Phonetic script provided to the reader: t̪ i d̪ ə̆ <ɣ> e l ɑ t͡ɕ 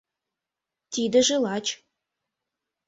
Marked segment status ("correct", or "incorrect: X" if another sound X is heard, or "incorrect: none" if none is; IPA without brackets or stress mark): incorrect: ʒ